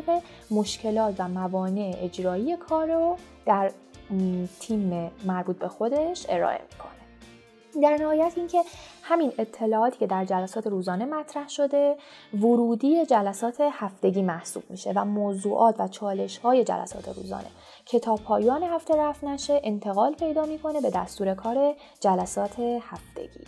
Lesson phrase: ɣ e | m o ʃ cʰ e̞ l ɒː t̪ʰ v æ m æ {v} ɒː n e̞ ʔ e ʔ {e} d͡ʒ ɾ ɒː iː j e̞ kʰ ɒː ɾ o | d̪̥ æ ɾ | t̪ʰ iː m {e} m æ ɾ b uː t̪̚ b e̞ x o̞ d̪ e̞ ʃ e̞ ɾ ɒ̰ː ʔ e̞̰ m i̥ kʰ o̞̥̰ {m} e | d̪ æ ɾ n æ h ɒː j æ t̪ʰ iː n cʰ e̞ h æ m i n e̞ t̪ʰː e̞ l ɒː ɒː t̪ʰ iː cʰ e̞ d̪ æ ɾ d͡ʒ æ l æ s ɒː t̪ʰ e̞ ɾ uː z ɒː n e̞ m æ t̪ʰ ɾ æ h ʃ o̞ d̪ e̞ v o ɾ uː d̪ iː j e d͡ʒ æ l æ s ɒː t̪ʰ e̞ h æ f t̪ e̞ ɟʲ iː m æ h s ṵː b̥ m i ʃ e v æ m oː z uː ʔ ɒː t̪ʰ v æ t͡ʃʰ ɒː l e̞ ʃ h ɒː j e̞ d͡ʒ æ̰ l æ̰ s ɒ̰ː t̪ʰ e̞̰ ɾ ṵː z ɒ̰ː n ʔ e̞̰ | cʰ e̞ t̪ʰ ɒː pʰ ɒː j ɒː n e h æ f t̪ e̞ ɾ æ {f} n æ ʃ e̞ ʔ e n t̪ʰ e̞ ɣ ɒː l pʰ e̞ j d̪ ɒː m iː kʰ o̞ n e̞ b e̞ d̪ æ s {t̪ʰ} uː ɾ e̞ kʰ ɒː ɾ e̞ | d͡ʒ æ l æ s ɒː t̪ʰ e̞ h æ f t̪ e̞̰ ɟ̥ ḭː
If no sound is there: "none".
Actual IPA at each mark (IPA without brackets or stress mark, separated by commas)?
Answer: v, e, e, n, f, t̪